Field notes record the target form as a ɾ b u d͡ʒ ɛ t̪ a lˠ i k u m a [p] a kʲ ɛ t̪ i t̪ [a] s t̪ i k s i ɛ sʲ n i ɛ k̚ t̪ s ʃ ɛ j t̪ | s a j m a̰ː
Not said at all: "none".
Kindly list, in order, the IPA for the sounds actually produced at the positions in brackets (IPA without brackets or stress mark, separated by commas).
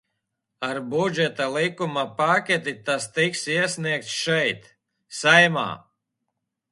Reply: p, a